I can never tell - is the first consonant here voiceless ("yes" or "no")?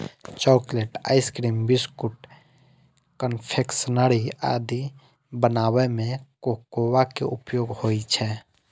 yes